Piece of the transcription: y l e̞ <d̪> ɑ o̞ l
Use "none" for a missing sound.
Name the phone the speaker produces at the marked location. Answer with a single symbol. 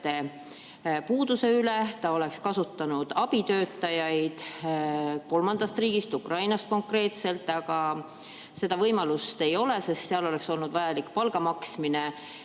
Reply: t̪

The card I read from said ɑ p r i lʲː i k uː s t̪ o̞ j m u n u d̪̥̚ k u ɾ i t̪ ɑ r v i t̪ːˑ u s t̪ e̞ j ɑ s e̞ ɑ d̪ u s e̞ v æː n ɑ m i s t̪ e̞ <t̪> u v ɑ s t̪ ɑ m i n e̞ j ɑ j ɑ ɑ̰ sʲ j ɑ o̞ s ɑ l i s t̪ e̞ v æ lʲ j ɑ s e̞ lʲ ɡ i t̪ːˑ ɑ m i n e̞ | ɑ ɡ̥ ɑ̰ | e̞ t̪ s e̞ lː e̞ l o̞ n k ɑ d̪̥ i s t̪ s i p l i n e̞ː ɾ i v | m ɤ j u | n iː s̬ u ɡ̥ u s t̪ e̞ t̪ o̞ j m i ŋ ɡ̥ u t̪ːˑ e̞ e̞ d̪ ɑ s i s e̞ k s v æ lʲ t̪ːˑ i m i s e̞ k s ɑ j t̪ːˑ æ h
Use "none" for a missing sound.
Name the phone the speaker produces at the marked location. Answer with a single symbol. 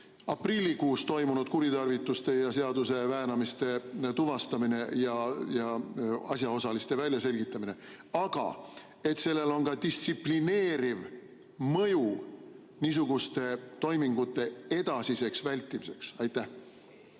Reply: t̪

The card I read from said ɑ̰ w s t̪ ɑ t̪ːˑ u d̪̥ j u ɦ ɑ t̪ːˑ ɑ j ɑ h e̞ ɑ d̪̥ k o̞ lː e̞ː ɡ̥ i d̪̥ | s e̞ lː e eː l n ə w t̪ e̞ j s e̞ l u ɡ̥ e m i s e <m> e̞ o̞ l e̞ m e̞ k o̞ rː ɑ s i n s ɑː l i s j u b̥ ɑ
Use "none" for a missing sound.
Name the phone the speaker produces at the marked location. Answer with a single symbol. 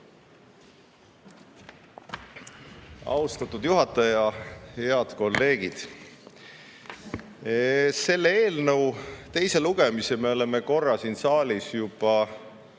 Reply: m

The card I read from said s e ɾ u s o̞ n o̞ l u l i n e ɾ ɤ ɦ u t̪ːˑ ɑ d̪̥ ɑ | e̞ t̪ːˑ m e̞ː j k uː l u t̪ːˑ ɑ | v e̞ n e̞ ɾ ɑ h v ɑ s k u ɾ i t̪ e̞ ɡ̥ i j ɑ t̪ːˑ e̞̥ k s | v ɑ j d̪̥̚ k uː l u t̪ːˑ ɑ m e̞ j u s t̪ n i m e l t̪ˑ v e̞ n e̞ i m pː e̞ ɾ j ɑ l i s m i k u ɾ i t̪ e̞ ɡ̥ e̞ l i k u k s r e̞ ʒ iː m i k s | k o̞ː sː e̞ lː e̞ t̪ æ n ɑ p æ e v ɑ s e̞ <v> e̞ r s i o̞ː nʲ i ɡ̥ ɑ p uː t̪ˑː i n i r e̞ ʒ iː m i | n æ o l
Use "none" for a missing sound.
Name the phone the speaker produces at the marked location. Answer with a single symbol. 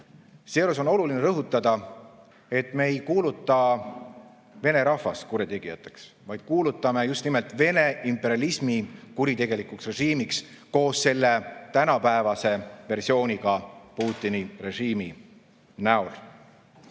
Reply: v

